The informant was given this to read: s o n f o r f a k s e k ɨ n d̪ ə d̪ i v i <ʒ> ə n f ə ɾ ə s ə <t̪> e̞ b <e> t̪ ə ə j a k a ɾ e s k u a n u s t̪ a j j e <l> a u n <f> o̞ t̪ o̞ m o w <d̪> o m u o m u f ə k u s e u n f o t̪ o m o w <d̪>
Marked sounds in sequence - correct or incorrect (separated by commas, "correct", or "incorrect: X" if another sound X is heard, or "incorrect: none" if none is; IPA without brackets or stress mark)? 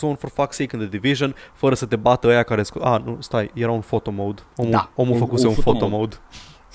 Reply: correct, correct, incorrect: a, incorrect: ɾ, correct, correct, correct